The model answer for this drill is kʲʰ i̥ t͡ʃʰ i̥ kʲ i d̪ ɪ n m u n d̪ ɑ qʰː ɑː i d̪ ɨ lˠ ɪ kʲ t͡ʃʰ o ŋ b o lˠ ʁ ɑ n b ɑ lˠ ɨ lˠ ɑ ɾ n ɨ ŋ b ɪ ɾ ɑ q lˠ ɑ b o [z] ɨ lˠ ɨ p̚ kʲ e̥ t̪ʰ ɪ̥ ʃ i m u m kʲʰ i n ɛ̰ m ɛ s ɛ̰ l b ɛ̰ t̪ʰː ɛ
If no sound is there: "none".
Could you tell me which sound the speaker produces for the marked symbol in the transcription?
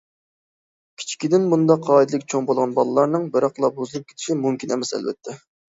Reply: z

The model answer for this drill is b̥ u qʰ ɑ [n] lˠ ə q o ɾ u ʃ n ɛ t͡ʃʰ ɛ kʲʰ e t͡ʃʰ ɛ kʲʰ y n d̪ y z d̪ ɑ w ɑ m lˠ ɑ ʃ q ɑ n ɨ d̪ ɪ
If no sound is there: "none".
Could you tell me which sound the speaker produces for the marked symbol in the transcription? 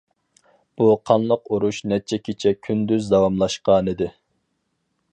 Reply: n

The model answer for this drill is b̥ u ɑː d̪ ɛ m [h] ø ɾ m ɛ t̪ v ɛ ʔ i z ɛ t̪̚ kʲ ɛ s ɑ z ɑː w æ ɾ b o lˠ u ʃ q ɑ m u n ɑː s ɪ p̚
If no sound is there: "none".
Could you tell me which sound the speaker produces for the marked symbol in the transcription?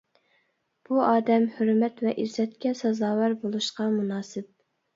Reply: h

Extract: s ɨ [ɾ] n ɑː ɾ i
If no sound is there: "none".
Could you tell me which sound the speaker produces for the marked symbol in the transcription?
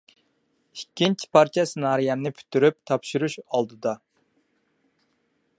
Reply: none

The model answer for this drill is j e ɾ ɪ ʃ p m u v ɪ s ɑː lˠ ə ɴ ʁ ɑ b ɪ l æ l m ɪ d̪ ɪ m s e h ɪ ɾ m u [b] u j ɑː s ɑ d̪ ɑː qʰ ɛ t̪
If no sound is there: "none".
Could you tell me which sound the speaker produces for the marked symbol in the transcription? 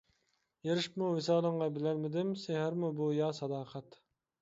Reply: b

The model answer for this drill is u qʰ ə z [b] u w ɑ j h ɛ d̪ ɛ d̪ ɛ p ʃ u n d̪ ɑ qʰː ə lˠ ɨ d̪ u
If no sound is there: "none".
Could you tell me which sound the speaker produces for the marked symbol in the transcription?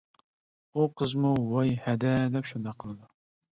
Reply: m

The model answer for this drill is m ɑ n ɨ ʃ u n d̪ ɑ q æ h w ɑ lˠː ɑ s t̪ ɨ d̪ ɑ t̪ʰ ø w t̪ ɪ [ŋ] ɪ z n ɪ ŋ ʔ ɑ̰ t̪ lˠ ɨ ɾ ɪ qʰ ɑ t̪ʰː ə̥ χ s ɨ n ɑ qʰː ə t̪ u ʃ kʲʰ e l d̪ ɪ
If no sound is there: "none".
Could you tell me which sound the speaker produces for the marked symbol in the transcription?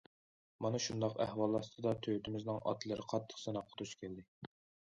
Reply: m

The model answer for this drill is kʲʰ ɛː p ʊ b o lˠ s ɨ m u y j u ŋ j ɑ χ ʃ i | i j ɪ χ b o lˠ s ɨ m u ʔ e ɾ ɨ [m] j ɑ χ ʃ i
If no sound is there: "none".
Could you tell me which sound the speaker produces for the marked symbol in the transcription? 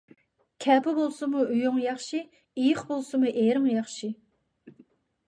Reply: ŋ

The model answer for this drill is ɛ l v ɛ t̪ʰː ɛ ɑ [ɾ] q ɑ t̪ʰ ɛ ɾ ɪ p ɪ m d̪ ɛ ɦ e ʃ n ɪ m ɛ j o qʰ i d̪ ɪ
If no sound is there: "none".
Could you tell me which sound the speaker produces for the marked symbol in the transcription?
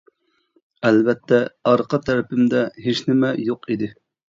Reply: ɾ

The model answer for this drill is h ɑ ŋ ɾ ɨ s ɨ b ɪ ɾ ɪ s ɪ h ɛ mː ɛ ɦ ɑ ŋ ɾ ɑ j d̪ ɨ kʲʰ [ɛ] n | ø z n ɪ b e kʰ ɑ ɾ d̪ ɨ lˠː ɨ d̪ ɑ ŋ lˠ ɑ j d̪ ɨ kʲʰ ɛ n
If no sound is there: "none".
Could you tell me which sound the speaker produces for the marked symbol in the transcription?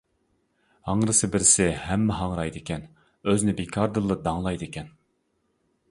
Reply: ɛ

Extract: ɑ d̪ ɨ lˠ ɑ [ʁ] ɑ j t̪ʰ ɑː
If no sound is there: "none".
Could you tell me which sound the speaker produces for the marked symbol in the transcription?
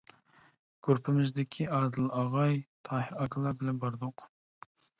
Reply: ʁ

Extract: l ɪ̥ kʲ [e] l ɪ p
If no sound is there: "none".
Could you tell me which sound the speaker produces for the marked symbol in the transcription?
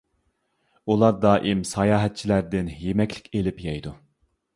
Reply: e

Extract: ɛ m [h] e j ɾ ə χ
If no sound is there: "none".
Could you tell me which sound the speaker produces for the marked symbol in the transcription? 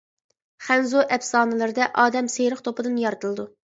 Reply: s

